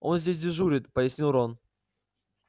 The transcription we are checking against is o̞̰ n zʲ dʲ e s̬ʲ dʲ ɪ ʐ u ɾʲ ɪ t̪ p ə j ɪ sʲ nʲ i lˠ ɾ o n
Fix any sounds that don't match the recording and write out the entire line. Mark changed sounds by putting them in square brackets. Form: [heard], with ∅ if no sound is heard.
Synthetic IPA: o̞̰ n zʲ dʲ e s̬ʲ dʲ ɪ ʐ u ɾʲ ɪ t̪ p ə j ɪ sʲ nʲ i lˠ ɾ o n